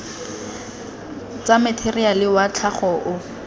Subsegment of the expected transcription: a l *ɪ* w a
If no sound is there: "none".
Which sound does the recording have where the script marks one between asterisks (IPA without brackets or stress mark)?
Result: ɪ